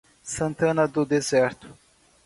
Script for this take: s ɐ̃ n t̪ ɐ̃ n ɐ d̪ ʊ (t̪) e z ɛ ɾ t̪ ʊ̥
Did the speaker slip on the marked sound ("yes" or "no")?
yes